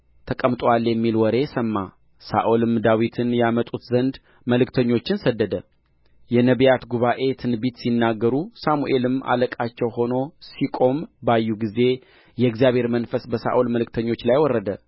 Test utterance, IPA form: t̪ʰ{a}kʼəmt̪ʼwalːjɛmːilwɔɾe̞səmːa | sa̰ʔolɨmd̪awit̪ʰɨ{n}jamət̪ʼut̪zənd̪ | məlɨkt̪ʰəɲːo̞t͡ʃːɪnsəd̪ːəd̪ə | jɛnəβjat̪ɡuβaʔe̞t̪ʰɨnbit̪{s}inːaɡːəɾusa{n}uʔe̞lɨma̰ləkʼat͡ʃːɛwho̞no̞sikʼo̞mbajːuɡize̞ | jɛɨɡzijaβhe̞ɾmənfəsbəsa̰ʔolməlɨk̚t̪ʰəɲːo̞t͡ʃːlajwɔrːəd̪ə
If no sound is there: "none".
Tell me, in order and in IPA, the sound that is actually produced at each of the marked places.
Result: ə, n, s, m

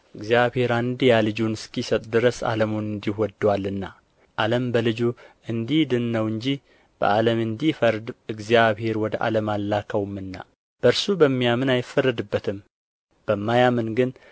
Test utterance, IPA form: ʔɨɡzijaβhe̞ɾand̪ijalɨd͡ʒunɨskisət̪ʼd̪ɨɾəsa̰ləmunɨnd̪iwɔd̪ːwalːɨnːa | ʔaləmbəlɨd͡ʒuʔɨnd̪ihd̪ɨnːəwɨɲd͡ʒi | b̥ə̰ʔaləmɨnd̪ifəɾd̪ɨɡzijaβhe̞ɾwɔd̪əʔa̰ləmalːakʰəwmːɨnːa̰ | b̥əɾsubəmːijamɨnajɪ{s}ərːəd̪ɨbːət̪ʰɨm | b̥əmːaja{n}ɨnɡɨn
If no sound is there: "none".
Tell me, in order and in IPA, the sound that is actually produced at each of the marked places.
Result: f, m

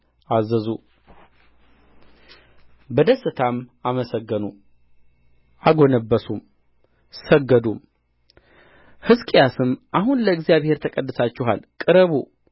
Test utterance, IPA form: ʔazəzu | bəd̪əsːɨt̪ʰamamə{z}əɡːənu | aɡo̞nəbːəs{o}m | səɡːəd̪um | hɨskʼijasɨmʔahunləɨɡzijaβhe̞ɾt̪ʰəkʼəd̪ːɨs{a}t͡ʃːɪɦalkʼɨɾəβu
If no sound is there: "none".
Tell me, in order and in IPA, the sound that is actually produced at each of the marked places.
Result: s, u, a

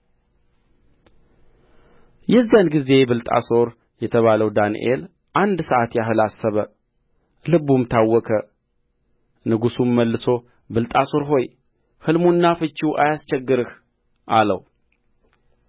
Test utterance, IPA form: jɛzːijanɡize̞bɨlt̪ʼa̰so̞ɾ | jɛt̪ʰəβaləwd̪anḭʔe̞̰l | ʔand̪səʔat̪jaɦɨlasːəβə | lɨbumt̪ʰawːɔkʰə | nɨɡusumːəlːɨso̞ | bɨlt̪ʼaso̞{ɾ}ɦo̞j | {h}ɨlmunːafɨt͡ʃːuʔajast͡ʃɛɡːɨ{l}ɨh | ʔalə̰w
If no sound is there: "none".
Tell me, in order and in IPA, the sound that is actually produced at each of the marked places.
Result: ɾ, h, ɾ

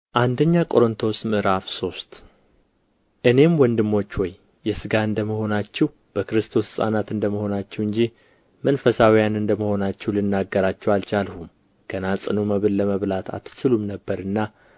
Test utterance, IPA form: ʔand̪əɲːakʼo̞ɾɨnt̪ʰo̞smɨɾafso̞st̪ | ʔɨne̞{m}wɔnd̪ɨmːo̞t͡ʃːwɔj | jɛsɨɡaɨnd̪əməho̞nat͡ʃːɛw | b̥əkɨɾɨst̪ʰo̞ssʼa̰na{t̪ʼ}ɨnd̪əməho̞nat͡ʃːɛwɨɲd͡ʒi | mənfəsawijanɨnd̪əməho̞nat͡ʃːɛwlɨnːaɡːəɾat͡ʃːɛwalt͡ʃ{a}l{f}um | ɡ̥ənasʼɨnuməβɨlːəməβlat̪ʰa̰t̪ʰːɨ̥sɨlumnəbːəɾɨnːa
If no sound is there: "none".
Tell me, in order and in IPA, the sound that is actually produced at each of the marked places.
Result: m, t̪, a, h

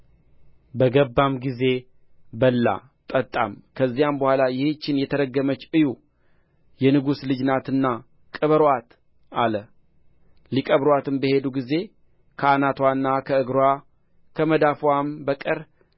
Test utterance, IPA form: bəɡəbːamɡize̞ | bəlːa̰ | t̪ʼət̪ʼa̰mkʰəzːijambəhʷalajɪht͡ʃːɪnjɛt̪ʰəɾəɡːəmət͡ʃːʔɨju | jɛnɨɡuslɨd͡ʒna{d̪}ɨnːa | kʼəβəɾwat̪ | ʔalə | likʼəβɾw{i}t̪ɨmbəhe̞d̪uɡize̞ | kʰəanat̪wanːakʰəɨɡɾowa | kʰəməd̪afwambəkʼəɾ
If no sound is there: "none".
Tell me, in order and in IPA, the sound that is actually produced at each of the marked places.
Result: t̪, a

